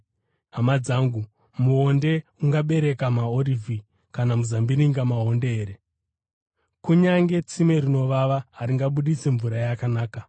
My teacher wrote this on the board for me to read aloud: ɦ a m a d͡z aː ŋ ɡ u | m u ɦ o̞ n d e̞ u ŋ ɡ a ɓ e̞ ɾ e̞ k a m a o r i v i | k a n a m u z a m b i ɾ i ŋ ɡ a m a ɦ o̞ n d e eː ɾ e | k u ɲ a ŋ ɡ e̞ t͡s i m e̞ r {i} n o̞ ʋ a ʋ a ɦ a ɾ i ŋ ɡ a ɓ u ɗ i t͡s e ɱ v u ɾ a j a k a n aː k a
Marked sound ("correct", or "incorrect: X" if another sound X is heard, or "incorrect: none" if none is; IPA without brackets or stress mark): correct